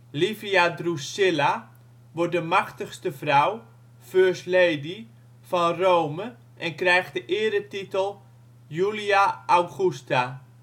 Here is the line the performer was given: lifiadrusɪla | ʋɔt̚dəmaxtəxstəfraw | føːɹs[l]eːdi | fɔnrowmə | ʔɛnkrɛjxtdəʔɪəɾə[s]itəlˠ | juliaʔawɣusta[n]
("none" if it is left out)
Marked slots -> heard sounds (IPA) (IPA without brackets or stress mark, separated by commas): l, t, none